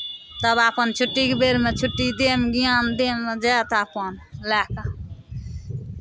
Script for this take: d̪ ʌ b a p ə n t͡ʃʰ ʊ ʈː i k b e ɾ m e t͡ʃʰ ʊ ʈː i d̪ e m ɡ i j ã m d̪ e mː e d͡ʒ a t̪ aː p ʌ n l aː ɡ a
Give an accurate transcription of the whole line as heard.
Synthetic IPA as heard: t̪ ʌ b a p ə n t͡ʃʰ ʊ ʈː i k b e ɾ m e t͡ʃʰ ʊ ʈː i d̪ e m ɡ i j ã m d̪ e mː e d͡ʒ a t̪ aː p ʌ n l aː k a